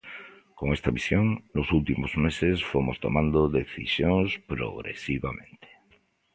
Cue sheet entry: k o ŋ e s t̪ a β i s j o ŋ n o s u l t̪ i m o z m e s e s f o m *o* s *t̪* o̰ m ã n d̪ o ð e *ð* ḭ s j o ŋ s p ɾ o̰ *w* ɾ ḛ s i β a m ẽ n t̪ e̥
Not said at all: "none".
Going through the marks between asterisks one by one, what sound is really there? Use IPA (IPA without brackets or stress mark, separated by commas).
o, t̪, θ, ɣ